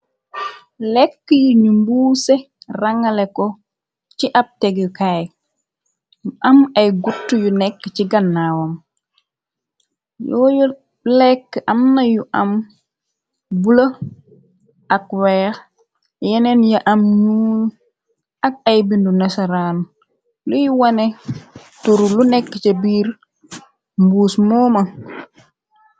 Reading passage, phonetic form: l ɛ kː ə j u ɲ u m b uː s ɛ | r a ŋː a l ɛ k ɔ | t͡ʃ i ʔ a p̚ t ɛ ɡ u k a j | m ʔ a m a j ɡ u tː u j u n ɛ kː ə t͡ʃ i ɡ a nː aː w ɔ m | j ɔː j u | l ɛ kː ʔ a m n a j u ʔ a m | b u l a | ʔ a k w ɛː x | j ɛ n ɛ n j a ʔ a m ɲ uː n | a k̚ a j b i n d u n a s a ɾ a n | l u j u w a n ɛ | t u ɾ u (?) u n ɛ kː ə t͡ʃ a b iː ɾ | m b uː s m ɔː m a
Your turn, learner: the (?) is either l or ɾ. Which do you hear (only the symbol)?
l